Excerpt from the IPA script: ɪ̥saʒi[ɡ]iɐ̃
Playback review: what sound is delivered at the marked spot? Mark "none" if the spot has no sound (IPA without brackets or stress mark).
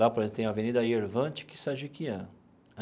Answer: k